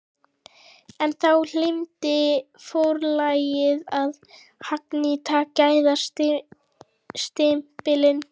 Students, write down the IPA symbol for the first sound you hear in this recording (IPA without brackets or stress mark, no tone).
ɛ